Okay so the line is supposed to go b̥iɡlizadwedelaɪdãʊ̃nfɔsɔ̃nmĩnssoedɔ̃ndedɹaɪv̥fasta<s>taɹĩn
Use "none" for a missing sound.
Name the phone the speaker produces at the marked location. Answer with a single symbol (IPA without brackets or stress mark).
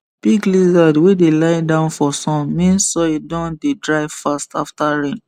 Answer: f